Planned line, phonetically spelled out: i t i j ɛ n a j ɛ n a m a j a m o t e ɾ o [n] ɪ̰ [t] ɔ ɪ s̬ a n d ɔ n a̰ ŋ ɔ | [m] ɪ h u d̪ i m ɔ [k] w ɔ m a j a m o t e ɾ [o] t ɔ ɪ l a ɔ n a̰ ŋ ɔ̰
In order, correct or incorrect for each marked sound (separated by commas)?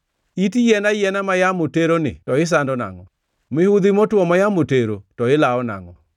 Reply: correct, correct, correct, incorrect, correct